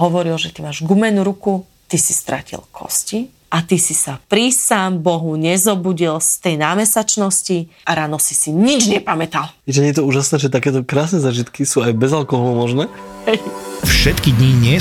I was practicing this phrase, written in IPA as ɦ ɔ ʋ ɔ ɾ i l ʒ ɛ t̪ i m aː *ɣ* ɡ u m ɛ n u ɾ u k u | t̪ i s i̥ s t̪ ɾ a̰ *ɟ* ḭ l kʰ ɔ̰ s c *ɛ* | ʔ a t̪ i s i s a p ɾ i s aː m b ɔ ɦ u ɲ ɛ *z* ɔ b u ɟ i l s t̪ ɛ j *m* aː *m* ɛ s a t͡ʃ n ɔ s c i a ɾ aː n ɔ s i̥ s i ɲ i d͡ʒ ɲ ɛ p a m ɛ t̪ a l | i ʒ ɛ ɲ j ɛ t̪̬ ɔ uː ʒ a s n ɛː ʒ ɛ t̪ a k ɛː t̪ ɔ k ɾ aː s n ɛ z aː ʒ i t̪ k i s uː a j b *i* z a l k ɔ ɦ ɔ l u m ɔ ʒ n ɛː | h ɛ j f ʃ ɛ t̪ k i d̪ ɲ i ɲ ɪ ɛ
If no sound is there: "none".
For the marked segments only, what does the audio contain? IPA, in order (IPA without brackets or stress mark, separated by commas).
ʒ, c, i, z, n, m, ɛ